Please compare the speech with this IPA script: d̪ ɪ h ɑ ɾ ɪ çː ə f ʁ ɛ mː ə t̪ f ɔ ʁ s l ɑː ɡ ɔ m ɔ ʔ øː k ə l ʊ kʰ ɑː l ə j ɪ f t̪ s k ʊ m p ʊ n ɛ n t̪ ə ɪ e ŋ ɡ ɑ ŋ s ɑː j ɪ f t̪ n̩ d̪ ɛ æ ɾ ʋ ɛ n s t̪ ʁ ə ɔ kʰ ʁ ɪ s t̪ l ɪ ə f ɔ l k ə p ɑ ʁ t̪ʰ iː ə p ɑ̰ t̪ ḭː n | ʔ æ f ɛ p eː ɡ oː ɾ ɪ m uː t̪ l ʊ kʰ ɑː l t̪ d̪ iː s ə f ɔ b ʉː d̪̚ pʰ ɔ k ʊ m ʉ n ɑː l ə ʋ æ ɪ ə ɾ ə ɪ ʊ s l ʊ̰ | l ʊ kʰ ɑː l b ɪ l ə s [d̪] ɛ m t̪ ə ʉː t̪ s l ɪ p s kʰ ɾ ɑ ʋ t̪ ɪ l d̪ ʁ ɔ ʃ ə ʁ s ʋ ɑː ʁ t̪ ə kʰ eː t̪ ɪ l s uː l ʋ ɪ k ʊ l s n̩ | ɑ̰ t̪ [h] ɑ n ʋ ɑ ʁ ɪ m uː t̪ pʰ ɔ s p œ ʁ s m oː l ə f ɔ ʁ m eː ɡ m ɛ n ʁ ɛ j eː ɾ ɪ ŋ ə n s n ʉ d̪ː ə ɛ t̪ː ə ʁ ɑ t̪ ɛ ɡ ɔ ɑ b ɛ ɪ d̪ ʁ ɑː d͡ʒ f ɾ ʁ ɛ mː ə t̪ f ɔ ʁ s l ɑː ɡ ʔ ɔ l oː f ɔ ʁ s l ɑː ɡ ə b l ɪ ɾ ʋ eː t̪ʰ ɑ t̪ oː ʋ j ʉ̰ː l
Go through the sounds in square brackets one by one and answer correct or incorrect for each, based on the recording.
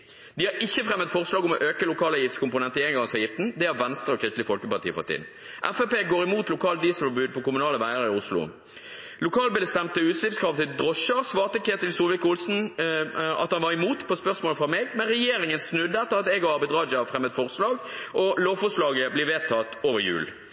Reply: incorrect: t̪, correct

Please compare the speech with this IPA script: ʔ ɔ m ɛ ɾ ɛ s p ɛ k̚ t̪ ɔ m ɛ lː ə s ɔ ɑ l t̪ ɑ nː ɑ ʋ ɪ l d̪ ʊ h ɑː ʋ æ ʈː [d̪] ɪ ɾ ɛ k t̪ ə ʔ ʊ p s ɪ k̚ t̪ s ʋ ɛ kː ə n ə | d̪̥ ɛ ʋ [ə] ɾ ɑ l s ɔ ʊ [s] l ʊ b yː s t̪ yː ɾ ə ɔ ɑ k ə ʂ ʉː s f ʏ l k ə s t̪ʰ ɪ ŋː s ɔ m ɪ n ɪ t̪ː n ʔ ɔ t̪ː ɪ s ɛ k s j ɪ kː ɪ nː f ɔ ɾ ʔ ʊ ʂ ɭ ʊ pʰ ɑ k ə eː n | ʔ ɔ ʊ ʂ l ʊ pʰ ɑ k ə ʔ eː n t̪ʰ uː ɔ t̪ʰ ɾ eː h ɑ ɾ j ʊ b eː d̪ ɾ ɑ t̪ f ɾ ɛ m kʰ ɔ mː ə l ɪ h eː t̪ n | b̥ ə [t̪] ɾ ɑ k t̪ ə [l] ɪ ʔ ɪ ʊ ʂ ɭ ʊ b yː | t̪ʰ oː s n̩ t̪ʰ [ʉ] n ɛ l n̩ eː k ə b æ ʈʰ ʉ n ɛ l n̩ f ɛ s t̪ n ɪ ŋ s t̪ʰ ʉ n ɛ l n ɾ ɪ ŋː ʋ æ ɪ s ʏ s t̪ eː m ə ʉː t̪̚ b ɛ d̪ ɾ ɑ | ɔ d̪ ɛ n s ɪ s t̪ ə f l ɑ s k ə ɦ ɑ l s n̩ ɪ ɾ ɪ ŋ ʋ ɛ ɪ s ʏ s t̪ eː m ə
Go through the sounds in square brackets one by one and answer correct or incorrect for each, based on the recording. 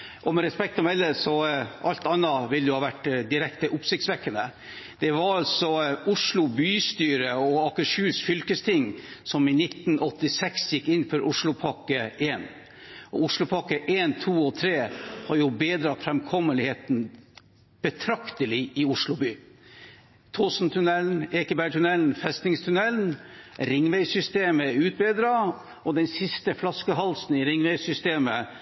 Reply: correct, incorrect: ɑ, incorrect: ʂ, incorrect: t̪ʰ, correct, correct

